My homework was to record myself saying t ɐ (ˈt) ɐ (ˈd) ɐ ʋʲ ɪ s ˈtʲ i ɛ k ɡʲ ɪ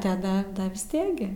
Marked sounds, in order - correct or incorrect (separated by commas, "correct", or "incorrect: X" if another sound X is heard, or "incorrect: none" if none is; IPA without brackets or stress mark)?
incorrect: d, correct